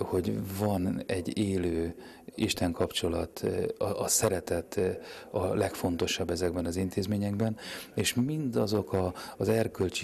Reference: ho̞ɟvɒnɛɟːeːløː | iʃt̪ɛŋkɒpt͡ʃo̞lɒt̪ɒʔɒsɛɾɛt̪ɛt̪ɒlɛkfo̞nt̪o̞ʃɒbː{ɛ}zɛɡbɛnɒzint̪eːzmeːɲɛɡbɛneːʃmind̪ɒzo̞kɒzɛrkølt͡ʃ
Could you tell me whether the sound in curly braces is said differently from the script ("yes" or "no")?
no